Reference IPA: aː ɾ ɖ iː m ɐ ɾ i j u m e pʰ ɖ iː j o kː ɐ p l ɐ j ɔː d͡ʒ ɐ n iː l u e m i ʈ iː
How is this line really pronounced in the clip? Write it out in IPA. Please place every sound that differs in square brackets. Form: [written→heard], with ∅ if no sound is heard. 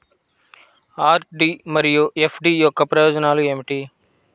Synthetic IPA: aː ɾ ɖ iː m ɐ ɾ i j u [m→∅] e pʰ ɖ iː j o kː ɐ p [l→ɾ] ɐ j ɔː d͡ʒ ɐ n [iː→aː] l u e m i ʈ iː